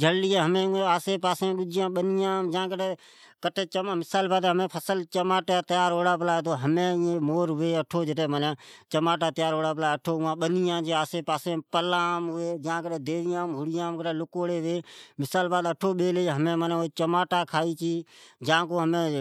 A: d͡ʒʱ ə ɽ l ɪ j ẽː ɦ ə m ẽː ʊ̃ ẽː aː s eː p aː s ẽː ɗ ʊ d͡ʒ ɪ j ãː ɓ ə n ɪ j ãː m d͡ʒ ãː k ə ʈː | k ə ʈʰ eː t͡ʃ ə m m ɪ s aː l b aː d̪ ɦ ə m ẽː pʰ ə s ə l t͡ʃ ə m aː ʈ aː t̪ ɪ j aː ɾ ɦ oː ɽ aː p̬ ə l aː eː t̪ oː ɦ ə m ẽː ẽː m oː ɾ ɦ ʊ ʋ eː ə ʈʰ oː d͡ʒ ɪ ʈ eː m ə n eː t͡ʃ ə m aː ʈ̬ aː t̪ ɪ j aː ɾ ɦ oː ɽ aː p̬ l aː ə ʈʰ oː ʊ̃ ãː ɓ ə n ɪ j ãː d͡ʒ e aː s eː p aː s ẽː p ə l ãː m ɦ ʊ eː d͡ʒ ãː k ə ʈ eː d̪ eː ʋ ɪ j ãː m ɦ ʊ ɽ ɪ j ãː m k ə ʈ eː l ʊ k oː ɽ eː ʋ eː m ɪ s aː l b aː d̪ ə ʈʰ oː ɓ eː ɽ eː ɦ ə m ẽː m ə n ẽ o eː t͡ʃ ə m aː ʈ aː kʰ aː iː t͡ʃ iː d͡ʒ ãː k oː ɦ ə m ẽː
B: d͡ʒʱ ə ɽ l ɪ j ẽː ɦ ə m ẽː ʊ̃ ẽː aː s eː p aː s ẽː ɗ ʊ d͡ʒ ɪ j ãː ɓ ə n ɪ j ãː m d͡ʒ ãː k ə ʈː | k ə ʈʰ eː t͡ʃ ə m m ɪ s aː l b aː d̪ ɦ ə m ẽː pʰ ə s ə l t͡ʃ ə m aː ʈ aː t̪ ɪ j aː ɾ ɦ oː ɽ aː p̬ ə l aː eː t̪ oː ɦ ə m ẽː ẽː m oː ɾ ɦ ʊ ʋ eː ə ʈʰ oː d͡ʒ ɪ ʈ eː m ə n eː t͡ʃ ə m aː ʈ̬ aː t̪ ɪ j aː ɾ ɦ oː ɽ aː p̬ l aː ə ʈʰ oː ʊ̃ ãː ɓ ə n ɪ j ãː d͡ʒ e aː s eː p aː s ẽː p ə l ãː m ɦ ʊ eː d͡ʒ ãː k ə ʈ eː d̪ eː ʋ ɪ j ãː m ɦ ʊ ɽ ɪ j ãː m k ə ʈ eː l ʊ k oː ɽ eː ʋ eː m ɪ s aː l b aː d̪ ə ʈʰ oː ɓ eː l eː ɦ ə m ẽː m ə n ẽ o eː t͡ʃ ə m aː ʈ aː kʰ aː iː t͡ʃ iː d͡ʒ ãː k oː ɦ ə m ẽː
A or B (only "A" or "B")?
B